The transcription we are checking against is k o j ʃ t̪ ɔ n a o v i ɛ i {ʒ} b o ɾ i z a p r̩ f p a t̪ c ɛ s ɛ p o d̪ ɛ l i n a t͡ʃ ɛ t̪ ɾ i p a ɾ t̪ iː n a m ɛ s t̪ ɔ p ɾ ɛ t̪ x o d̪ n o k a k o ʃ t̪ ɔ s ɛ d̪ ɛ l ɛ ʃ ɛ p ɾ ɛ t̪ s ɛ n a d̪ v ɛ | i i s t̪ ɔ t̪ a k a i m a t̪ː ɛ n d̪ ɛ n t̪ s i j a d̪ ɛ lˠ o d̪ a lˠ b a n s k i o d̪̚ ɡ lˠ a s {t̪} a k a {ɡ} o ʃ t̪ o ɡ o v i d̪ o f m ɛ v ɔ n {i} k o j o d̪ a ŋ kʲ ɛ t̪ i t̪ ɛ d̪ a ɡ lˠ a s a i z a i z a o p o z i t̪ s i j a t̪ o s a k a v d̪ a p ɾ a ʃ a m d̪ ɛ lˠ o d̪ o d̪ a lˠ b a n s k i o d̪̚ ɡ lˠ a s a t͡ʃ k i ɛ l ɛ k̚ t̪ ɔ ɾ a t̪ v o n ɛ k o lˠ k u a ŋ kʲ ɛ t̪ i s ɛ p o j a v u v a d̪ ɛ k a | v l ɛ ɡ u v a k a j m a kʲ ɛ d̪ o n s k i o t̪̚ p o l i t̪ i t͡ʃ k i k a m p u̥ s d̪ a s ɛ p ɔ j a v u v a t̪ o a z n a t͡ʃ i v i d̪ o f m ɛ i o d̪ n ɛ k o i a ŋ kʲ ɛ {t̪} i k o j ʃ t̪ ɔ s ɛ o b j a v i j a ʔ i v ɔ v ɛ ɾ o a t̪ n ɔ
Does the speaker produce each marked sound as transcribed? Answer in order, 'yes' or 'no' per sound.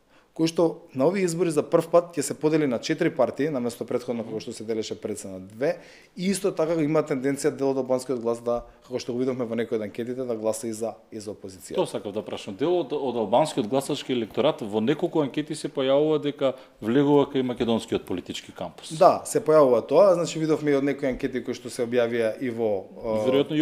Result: no, no, no, no, yes

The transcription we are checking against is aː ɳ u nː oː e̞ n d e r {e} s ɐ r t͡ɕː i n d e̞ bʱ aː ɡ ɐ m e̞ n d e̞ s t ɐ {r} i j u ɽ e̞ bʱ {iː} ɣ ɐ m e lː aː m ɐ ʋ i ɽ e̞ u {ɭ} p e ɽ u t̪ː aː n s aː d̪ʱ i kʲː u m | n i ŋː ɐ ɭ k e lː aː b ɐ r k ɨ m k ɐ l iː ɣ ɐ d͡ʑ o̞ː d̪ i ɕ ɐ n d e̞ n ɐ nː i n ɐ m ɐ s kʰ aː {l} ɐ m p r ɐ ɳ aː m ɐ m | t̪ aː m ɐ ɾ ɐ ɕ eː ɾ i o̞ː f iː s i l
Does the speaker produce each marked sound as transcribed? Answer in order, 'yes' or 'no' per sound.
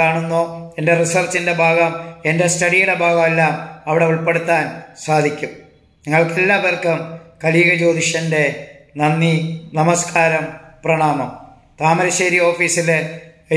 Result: no, no, no, yes, no

